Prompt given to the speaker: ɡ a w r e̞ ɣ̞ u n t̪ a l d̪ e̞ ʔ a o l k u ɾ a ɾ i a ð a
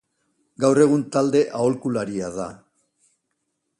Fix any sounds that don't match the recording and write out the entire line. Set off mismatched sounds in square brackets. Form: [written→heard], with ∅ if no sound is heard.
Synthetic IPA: ɡ a w r e̞ ɣ̞ u n t̪ a l d̪ e̞ ʔ a o l k u [ɾ→l] a ɾ i a ð a